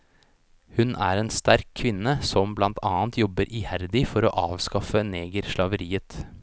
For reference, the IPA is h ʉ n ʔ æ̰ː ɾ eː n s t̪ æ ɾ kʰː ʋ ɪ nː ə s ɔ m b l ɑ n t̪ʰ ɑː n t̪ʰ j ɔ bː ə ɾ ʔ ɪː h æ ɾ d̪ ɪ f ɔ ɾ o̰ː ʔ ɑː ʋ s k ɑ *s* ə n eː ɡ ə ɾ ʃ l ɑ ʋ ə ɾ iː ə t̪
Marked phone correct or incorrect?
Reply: incorrect: f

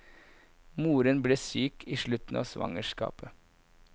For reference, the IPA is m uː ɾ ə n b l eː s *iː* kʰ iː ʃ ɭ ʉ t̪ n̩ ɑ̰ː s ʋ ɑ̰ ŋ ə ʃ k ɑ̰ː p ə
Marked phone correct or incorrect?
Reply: incorrect: yː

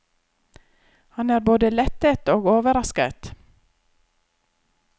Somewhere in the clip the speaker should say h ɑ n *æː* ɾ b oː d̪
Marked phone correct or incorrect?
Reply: correct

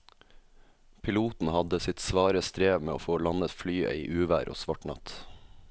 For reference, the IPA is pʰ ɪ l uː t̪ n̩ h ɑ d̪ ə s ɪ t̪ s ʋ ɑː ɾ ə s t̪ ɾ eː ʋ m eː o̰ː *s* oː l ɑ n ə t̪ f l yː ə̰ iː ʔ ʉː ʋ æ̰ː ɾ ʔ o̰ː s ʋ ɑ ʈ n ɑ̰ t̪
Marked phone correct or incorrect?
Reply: incorrect: f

